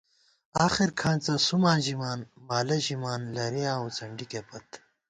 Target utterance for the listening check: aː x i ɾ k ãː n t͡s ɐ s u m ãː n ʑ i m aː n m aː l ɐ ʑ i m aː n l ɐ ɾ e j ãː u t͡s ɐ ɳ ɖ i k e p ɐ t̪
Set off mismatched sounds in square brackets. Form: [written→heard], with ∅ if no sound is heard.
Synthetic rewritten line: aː x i ɾ [k→kʰ] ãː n t͡s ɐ s u m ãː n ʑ i m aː n m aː l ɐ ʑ i m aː n l ɐ ɾ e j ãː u t͡s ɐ ɳ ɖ i k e p ɐ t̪